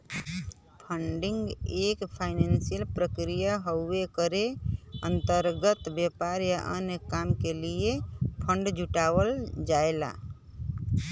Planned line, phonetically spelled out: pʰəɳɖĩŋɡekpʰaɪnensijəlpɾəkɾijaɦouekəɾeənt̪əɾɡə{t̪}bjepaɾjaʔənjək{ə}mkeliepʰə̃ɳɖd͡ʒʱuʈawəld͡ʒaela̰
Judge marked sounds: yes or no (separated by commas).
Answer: yes, no